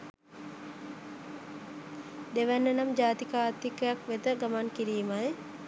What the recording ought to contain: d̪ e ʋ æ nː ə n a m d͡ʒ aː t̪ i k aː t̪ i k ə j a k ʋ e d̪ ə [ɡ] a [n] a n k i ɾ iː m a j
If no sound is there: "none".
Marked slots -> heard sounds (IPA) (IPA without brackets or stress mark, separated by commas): ɡ, m